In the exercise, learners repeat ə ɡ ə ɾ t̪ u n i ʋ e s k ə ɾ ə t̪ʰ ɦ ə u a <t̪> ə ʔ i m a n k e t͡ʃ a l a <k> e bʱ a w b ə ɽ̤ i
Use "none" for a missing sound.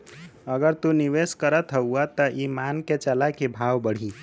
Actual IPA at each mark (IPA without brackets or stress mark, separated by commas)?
t̪, k